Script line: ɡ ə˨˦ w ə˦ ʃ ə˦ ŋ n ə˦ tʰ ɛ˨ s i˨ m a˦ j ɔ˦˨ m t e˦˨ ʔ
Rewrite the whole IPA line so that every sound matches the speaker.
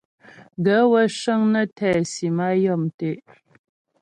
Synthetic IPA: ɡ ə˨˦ w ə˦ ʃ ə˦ ŋ n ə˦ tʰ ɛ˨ s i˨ m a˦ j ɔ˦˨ m t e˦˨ ʔ